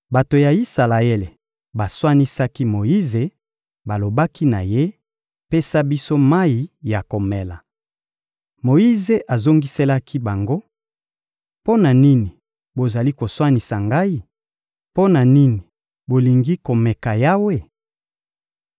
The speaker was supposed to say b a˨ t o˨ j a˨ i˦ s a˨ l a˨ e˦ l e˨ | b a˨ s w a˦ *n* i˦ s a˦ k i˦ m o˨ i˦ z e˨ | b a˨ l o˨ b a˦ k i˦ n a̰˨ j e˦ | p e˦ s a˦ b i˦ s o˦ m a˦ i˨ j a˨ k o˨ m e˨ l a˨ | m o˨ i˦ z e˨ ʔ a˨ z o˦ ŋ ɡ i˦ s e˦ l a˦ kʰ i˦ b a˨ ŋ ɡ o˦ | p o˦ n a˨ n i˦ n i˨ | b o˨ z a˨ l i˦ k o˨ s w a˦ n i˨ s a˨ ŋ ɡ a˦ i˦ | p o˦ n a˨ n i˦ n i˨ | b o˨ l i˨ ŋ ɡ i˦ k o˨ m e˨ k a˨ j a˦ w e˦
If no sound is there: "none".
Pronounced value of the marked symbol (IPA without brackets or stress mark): n